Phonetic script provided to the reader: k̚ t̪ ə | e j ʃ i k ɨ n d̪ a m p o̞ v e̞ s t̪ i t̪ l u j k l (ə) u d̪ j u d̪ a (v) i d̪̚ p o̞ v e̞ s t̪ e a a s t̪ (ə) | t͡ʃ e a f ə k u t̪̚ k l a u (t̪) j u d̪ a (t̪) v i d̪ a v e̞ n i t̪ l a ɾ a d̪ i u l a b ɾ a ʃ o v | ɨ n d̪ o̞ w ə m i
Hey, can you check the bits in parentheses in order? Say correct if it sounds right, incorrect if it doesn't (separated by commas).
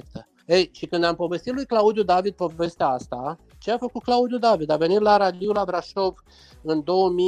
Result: incorrect, correct, incorrect, incorrect, incorrect